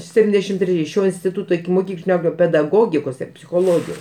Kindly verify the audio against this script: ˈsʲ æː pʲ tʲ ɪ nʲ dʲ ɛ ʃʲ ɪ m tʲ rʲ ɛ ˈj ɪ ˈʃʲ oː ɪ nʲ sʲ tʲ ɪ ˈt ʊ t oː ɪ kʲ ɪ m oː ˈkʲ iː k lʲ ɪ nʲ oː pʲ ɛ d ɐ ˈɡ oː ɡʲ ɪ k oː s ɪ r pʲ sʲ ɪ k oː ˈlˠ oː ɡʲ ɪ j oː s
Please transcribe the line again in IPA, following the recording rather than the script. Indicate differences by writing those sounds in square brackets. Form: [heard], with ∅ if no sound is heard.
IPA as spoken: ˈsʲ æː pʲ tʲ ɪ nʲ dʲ ɛ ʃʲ ɪ m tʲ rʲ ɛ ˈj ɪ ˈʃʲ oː ɪ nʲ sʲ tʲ ɪ ˈt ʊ t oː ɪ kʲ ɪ m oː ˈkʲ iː k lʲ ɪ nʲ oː pʲ ɛ d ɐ ˈɡ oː ɡʲ ɪ k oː s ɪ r pʲ sʲ ɪ [x] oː ˈlˠ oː ɡʲ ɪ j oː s